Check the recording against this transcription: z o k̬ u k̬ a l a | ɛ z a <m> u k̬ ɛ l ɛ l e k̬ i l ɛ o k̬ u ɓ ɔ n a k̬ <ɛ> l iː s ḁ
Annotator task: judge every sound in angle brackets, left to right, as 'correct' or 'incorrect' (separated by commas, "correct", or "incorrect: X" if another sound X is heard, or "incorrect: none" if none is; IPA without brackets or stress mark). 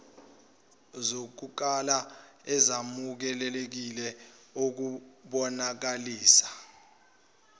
correct, incorrect: a